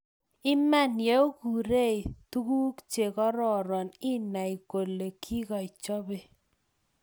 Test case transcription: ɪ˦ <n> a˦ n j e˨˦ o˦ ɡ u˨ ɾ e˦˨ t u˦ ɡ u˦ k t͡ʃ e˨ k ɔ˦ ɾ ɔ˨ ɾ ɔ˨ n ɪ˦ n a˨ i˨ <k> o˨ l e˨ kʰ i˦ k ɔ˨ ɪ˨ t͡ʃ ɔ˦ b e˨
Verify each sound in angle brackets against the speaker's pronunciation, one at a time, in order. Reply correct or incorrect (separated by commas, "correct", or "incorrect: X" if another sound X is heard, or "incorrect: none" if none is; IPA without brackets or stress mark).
incorrect: m, correct